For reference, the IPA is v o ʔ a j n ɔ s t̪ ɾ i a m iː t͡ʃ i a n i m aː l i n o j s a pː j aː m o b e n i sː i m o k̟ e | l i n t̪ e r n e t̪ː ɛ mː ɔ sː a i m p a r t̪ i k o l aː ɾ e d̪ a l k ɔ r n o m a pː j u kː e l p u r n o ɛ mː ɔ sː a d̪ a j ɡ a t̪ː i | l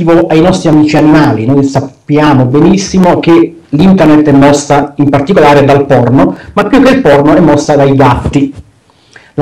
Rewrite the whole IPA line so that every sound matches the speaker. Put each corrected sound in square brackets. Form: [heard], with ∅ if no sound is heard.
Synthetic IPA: v o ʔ a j n ɔ s t̪ ɾ i a m iː t͡ʃ i a n i m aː l i n o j s a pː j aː m o b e n i sː i m o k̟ e | l i n t̪ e r n e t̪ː ɛ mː ɔ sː a i m p a r t̪ i k o l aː ɾ e d̪ a l [p] ɔ r n o m a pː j u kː e l p [ɔ] r n o ɛ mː ɔ sː a d̪ a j ɡ a t̪ː i | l